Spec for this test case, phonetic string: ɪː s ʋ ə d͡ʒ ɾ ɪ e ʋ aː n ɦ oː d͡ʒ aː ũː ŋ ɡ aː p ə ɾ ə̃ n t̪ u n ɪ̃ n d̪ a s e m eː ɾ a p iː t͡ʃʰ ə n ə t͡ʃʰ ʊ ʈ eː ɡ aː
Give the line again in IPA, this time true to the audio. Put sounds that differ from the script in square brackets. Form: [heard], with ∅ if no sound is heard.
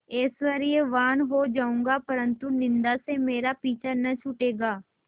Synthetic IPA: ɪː s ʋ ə [∅] ɾ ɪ e ʋ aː n ɦ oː d͡ʒ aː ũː ŋ ɡ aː p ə ɾ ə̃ n t̪ u n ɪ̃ n d̪ a s e m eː ɾ a p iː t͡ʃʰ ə n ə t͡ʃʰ ʊ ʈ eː ɡ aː